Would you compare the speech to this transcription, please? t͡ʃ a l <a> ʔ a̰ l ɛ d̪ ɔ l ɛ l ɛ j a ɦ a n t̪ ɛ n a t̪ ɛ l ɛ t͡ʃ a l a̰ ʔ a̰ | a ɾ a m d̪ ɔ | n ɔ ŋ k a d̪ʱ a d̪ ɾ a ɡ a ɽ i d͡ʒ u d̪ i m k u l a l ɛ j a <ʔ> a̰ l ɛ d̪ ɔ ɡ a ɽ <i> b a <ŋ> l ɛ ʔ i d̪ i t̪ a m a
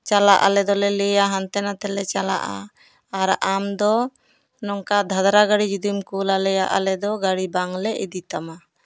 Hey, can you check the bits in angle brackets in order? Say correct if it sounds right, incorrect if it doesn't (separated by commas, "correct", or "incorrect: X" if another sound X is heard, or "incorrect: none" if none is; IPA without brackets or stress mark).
correct, correct, correct, correct